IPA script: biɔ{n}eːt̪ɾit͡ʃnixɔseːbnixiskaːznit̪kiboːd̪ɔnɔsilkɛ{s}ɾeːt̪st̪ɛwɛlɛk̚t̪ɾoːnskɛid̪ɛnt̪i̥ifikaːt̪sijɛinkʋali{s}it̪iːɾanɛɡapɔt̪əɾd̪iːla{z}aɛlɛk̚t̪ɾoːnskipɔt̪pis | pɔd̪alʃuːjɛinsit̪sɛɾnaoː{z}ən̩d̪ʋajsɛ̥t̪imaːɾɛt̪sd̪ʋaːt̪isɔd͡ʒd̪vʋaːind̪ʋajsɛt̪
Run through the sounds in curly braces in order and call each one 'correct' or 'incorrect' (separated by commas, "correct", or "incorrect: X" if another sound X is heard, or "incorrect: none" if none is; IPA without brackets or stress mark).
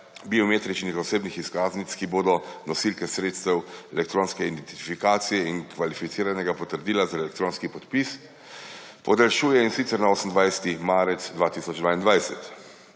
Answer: incorrect: m, correct, incorrect: f, correct, incorrect: s